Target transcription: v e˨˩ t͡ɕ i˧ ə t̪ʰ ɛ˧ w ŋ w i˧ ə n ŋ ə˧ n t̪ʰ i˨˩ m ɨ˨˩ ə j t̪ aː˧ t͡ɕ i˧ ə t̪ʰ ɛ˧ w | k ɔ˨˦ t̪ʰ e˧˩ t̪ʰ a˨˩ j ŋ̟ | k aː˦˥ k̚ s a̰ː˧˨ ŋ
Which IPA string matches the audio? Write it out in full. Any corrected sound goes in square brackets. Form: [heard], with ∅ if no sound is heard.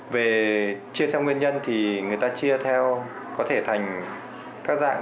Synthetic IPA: v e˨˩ t͡ɕ i˧ ə t̪ʰ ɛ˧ w ŋ w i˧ ə n [ɲ] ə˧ n t̪ʰ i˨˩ [ŋ] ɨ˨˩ ə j t̪ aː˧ t͡ɕ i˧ ə t̪ʰ ɛ˧ w | k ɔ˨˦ t̪ʰ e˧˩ t̪ʰ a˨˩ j ŋ̟ | k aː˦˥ k̚ [z] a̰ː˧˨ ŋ